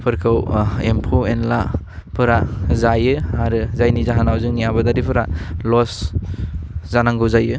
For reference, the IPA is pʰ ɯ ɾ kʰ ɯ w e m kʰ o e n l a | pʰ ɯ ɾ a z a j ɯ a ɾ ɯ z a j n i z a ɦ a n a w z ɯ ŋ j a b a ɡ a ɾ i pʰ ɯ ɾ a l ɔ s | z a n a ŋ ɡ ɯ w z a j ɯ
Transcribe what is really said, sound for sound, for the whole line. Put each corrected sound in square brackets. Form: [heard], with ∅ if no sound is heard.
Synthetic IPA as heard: pʰ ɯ ɾ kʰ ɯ w e m [pʰ] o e n l a | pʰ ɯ ɾ a z a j ɯ a ɾ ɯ z a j n i z a ɦ a n a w z ɯ ŋ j a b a [d] a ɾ i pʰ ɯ ɾ a l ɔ s | z a n a ŋ ɡ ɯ w z a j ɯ

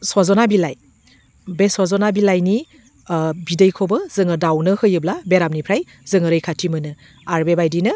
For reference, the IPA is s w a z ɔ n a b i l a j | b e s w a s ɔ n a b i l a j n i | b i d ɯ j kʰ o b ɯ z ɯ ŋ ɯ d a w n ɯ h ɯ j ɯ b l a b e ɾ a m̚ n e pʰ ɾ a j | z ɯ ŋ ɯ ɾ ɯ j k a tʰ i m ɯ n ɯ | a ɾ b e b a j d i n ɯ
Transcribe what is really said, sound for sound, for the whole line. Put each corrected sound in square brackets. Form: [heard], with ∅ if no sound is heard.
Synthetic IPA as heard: s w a z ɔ n a b i l a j | b e s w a [z] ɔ n a b i l a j n i | b i d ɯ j kʰ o b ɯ z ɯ ŋ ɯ d a w n ɯ h ɯ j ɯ b l a b e ɾ a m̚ n [i] pʰ ɾ a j | z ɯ ŋ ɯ ɾ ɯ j [kʰ] a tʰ i m ɯ n ɯ | a ɾ b e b a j d i n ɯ

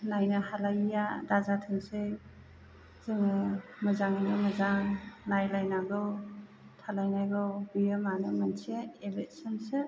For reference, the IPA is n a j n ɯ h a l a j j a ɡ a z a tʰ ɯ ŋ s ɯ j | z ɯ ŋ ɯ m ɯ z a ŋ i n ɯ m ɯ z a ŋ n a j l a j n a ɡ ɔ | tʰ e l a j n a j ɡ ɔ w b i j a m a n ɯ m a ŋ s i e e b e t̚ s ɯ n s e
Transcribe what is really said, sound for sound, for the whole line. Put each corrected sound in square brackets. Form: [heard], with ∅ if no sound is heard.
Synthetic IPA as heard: n a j n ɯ h a l a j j a [d] a z a tʰ ɯ ŋ s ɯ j | z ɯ ŋ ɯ m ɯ z a ŋ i n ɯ m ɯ z a ŋ n a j l a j n a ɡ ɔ | tʰ [a] l a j n a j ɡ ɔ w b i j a m a n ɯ m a [n] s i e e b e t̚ s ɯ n s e

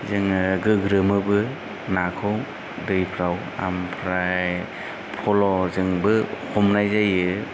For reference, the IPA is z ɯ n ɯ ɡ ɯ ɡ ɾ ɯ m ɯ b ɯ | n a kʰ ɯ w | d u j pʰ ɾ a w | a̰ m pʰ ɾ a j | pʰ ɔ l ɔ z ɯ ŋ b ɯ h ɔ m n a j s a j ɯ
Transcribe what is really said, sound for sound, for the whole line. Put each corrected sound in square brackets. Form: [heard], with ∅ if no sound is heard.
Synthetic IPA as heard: z ɯ [ŋ] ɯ ɡ ɯ ɡ ɾ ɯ m ɯ b ɯ | n a kʰ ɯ w | d [ɯ] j pʰ ɾ a w | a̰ m pʰ ɾ a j | pʰ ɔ l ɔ z ɯ ŋ b ɯ h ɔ m n a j [z] a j ɯ

